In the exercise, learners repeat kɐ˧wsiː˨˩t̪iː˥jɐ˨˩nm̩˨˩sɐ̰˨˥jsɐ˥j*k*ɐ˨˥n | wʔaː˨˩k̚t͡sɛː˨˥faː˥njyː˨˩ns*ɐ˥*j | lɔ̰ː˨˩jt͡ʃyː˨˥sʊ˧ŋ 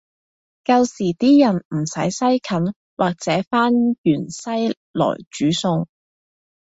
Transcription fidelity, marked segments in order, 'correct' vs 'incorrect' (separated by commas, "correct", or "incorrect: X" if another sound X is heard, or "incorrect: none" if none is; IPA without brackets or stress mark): incorrect: kʰ, correct